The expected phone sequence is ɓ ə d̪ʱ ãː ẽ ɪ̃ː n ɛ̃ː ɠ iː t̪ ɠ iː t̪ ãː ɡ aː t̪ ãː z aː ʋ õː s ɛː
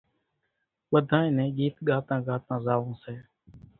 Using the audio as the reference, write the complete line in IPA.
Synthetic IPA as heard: ɓ ə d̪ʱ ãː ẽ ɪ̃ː n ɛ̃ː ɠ iː t̪ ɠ aː t̪ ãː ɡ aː t̪ ãː z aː ʋ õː s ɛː